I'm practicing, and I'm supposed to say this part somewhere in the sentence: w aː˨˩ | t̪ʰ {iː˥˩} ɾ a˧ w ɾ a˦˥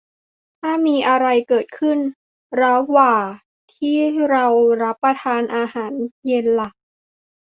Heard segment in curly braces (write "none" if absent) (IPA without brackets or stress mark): iː˥˩